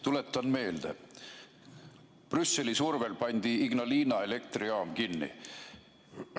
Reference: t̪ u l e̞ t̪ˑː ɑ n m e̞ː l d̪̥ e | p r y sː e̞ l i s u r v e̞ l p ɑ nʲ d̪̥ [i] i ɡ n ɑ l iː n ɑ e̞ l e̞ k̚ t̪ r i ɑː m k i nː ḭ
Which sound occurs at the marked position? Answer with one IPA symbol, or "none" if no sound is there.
i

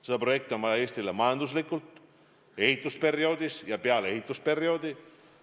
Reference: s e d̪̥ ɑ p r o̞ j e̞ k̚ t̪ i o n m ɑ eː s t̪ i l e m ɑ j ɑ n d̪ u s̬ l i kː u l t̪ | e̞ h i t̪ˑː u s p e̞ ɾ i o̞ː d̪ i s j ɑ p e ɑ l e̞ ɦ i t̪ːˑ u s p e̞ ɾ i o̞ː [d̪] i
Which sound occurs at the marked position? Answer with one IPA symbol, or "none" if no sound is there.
d̪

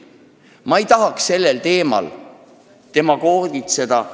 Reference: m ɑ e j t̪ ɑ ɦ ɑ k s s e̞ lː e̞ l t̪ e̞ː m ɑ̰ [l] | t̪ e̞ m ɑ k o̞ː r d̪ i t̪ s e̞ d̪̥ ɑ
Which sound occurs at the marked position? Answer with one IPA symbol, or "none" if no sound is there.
l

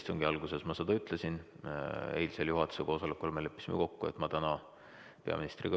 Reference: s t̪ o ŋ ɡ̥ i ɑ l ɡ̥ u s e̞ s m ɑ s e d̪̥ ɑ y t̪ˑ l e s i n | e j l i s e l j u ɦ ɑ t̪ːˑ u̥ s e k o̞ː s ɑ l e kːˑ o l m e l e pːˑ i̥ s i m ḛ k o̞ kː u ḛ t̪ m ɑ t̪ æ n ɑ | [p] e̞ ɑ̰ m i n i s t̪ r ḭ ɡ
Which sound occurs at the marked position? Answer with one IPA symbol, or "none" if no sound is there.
p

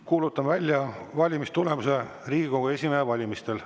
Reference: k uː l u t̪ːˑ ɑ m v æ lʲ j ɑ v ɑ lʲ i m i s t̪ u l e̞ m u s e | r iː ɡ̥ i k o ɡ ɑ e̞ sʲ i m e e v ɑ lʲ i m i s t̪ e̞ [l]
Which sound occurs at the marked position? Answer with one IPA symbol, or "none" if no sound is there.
l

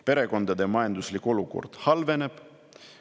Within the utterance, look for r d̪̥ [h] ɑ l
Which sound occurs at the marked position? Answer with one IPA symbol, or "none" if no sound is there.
h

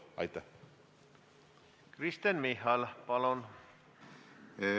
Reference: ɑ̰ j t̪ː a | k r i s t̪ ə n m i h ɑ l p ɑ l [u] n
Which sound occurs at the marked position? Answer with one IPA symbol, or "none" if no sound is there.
o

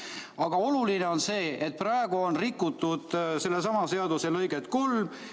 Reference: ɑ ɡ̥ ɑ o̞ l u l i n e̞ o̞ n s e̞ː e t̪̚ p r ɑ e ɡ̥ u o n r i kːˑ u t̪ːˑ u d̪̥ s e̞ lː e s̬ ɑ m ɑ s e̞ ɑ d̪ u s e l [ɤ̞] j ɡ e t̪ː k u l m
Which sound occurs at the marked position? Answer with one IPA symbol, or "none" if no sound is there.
ɤ̞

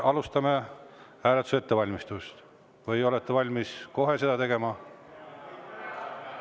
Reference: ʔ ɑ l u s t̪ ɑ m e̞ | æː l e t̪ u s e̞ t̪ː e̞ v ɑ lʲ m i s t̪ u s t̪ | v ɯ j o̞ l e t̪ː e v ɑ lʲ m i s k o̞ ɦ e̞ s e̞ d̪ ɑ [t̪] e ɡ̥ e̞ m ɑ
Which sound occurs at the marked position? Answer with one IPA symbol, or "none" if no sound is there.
t̪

